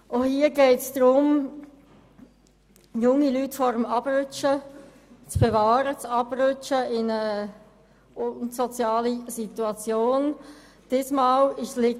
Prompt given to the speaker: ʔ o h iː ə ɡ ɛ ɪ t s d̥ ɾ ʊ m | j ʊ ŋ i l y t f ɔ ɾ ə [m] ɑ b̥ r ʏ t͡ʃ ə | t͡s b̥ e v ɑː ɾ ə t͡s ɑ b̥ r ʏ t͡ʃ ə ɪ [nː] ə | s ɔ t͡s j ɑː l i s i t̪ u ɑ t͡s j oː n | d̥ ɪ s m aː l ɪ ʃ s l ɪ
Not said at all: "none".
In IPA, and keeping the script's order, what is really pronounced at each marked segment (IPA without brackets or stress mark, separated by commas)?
m, n